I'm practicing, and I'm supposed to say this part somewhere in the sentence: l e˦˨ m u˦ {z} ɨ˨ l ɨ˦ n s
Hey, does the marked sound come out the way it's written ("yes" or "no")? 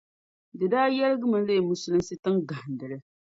no